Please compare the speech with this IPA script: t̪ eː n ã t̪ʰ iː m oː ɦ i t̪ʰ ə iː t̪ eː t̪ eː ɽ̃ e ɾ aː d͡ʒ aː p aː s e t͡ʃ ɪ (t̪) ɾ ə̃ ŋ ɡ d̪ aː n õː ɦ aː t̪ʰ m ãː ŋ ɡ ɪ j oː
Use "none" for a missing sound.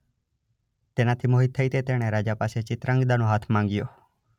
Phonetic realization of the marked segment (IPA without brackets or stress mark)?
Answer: t̪